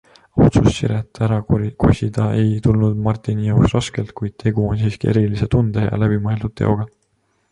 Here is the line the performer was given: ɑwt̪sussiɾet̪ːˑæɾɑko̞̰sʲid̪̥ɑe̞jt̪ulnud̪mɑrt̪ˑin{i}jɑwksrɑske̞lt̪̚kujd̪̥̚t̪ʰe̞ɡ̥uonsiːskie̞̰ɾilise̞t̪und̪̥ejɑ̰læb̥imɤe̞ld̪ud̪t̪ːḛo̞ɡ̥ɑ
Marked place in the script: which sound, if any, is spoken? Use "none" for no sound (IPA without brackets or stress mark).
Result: i